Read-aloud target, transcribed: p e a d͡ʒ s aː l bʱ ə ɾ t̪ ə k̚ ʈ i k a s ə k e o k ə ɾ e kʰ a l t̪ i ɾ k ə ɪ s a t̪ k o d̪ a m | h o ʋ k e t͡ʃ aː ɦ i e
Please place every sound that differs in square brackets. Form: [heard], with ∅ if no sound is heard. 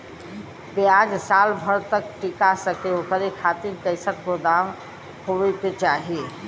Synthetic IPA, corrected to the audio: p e a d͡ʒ s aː l bʱ ə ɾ t̪ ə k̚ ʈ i k a s ə k e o k ə ɾ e kʰ a [∅] t̪ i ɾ k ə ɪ s [ə] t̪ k o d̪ a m | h o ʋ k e t͡ʃ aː ɦ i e